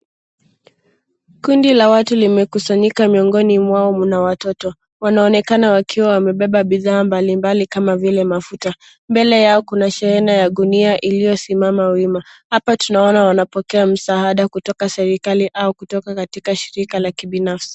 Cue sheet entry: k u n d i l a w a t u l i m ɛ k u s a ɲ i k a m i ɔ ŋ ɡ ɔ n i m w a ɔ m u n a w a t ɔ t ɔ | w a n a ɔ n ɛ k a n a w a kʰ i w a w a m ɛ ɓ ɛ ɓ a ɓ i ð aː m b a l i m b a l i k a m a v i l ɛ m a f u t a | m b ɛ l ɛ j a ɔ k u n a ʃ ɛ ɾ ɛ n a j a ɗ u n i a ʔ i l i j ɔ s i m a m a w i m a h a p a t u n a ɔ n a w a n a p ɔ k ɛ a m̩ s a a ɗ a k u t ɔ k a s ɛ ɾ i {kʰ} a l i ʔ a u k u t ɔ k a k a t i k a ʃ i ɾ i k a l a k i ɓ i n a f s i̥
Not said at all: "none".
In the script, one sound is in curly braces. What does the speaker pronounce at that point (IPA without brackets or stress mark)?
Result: k